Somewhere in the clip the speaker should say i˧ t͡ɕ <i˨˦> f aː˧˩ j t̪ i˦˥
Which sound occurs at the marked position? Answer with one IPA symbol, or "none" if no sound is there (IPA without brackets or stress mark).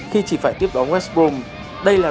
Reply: i˧˩